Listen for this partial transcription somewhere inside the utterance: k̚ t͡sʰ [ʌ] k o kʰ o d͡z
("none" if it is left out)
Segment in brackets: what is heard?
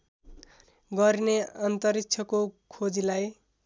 ʌ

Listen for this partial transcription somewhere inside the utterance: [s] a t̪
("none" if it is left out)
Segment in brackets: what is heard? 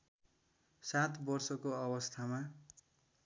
s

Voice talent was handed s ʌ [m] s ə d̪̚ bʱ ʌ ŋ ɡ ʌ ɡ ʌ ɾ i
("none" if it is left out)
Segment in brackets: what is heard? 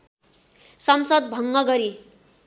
m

